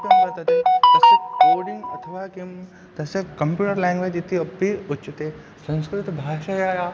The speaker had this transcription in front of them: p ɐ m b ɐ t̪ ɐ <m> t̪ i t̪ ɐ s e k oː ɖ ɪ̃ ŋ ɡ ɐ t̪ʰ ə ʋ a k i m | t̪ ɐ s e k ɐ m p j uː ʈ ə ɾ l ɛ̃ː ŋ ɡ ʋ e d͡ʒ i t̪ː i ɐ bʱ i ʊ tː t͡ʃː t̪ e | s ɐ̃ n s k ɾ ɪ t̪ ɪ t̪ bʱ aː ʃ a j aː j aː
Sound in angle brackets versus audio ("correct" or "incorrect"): incorrect